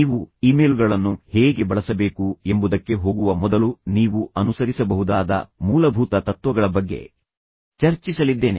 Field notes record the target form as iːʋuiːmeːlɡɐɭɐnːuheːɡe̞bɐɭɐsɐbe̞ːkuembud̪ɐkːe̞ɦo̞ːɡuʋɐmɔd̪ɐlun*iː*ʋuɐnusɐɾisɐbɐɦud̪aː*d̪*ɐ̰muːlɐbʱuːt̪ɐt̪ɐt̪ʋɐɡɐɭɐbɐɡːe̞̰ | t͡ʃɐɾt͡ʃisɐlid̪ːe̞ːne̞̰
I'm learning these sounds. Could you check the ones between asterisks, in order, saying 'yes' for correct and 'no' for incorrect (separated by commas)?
yes, yes